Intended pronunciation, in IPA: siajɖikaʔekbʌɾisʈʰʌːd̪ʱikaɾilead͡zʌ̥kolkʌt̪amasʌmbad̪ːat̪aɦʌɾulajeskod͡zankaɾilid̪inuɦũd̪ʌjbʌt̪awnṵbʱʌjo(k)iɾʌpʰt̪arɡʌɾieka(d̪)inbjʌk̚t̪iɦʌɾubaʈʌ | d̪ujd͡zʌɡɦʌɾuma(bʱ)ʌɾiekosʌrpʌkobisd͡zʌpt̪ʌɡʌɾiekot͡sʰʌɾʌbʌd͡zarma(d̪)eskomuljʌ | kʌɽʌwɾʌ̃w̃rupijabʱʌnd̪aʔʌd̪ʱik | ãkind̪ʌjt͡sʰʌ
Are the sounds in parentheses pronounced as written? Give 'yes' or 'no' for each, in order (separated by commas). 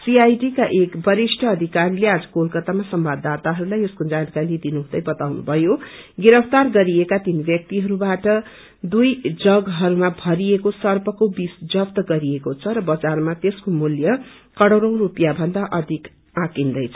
no, no, yes, no